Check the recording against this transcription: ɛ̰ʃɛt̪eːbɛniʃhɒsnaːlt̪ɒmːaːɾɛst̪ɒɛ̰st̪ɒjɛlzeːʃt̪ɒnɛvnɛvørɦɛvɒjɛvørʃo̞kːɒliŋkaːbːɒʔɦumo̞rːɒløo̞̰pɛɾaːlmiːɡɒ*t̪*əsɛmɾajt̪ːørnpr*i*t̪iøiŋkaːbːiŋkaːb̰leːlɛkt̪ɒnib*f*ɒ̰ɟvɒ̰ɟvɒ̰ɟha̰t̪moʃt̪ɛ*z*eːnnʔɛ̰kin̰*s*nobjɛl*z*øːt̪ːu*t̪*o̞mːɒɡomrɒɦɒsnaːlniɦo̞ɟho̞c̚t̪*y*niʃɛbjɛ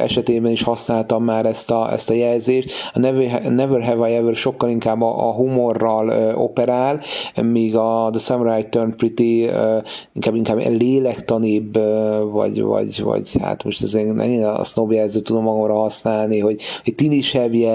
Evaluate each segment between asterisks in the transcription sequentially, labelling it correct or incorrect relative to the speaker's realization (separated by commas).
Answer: incorrect, correct, incorrect, correct, correct, correct, incorrect, incorrect